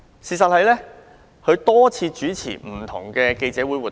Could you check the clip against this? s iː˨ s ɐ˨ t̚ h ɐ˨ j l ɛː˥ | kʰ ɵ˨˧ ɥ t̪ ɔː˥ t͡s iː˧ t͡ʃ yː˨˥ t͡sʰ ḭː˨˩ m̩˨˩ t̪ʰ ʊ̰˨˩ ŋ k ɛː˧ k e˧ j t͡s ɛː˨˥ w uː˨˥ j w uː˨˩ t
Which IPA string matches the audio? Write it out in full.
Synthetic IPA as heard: s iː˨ s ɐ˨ t̚ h ɐ˨ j l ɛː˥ | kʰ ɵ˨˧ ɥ t̪ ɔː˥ t͡sʰ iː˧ t͡ʃ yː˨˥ t͡sʰ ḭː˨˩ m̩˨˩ t̪ʰ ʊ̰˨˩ ŋ k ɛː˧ k e˧ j t͡s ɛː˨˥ w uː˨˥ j w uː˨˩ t